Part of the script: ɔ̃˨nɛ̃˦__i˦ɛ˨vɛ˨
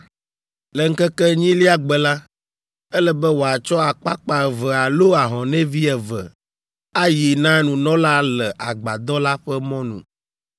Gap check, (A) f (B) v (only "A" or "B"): B